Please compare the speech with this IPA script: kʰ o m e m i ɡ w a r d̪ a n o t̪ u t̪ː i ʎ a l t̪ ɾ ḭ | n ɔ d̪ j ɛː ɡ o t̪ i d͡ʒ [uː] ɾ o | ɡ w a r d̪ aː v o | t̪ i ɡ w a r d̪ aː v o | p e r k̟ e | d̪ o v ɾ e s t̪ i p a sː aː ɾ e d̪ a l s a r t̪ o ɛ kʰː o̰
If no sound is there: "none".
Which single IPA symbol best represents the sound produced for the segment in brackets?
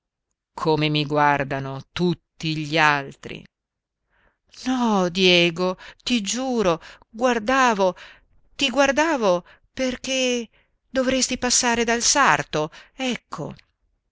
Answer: uː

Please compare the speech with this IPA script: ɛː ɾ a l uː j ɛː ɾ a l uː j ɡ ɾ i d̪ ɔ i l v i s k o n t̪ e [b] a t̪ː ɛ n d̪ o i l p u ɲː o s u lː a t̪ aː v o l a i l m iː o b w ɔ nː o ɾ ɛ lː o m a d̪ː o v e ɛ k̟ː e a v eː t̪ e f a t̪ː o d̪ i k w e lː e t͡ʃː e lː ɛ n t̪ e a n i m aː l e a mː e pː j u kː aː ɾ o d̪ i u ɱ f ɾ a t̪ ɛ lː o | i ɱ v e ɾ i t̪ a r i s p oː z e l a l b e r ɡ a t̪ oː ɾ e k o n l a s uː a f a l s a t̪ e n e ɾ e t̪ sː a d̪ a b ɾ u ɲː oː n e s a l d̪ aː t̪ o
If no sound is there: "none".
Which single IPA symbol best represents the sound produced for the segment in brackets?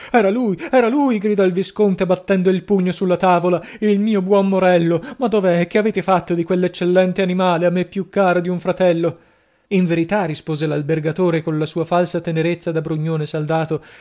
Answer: b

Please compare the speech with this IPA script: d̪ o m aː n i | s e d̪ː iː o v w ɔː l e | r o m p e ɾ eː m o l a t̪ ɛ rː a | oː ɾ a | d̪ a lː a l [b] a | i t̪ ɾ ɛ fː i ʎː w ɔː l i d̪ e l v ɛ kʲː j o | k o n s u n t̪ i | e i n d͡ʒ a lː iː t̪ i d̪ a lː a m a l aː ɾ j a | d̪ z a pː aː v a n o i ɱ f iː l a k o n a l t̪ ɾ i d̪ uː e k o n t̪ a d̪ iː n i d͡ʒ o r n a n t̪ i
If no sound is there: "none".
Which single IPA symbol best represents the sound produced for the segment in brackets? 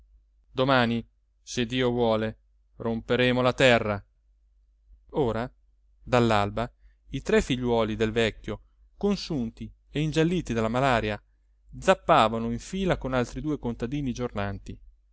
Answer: b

